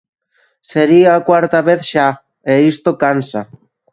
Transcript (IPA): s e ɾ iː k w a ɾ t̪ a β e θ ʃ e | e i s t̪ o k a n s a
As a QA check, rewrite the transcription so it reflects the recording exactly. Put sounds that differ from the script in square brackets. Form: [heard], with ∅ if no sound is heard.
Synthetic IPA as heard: s e ɾ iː k w a ɾ t̪ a β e θ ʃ [a] | e i s t̪ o k a n s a